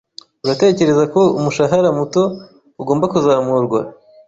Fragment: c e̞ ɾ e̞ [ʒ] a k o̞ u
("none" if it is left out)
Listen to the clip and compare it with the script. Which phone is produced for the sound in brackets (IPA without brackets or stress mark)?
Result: z